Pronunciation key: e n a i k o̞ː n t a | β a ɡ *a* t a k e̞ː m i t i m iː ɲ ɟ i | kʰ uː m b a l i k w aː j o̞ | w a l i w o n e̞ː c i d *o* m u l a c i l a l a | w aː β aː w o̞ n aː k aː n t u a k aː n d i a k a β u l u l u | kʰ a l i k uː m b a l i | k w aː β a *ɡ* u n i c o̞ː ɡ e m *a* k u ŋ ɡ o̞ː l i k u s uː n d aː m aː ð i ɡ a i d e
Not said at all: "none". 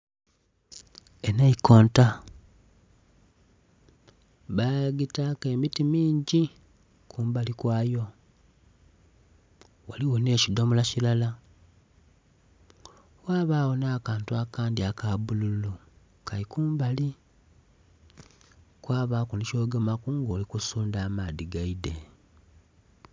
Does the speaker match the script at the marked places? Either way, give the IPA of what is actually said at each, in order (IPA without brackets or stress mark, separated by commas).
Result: i, o, k, a